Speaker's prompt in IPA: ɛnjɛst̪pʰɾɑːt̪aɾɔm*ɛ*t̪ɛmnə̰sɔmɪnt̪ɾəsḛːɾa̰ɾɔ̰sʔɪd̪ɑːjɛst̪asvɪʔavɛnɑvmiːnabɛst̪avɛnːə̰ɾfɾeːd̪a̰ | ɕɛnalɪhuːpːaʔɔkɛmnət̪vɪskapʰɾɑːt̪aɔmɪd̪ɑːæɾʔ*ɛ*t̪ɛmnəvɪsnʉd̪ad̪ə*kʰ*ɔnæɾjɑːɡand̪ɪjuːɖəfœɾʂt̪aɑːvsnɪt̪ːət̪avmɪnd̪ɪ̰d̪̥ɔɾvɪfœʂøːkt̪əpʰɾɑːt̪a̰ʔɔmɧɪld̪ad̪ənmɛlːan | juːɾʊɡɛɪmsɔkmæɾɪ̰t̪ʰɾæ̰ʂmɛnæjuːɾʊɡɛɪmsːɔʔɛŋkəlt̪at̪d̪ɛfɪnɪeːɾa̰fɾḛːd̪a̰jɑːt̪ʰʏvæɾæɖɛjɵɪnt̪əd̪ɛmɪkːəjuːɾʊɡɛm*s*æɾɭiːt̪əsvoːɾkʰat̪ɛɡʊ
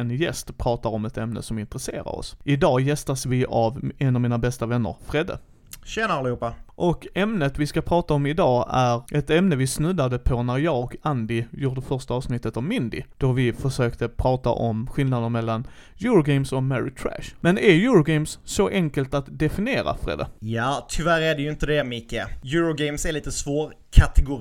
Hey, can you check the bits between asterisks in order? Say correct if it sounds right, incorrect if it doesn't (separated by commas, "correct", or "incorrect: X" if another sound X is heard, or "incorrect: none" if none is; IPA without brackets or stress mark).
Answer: correct, correct, incorrect: pʰ, correct